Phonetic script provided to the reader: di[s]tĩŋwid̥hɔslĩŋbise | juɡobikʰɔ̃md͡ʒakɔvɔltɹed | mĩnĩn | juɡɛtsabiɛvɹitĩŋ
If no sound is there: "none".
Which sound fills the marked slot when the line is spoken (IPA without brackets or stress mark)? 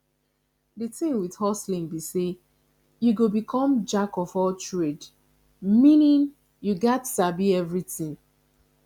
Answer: none